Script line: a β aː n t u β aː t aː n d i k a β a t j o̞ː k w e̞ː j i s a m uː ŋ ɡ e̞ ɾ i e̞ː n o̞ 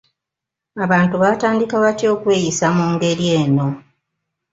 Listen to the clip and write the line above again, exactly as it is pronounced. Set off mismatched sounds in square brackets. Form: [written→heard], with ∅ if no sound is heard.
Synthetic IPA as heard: a β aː n t u β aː t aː n d i k a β a t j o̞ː k w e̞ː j i s a m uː ŋ ɡ e̞ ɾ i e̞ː n o̞